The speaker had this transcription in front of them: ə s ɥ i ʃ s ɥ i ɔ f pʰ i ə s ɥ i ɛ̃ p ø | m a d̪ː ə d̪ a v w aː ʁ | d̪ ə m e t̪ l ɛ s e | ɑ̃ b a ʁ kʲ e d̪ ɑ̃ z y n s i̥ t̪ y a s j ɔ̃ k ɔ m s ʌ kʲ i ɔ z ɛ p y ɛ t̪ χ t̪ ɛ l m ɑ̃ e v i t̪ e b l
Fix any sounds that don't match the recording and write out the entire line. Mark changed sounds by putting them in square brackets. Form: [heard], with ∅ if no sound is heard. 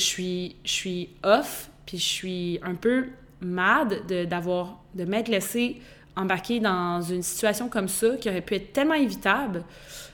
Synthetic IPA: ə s ɥ i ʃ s ɥ i ɔ f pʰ i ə s ɥ i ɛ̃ p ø | m a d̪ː ə d̪ a v w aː ʁ | d̪ ə m [ɛ] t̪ l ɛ s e | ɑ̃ b a ʁ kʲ e d̪ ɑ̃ z y n s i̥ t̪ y a s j ɔ̃ k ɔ m s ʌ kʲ i ɔ [ʁ] ɛ p y ɛ t̪ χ t̪ ɛ l m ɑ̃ e v i t̪ [a] b l